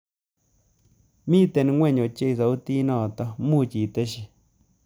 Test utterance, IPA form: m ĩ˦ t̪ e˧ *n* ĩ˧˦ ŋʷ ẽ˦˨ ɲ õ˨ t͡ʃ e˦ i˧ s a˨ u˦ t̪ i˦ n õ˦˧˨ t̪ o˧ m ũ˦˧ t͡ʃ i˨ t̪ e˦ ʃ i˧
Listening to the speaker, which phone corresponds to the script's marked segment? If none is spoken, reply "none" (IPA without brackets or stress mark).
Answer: n